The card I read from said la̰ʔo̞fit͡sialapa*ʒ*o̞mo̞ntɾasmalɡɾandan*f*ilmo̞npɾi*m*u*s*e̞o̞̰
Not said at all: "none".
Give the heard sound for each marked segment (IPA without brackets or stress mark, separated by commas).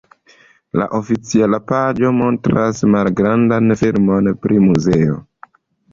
d͡ʒ, f, m, z